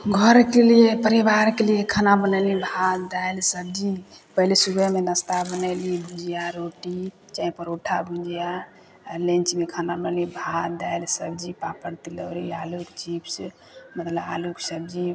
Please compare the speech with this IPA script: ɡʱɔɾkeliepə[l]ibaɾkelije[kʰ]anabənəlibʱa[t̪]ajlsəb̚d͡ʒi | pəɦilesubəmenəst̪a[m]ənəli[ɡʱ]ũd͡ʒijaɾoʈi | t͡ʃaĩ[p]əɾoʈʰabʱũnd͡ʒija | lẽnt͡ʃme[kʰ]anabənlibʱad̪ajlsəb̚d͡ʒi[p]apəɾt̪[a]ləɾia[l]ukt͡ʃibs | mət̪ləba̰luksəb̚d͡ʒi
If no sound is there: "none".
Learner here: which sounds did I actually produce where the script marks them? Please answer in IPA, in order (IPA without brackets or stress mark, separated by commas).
ɾ, kʰ, d̪, b, bʱ, p, kʰ, p, i, l